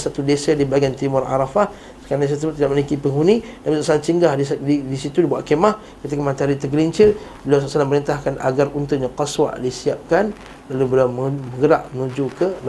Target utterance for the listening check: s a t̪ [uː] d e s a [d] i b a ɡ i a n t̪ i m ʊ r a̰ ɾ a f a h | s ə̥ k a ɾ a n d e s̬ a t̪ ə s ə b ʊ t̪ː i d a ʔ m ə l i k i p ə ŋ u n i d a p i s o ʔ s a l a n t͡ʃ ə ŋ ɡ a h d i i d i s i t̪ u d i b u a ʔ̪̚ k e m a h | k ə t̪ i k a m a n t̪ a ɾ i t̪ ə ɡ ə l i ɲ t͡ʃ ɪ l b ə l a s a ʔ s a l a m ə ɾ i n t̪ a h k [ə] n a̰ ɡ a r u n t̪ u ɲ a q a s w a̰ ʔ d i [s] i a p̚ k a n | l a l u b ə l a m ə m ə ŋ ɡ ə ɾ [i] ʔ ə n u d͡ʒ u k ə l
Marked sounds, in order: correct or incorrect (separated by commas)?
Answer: incorrect, correct, incorrect, correct, incorrect